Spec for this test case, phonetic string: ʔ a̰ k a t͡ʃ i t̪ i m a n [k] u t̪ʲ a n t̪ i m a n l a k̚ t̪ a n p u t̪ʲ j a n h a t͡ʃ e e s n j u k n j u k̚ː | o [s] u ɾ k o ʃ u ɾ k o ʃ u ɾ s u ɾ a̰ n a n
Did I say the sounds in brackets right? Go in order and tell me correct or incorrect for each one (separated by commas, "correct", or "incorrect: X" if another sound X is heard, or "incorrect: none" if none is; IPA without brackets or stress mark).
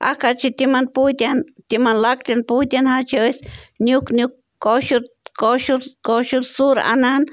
incorrect: p, incorrect: ʃ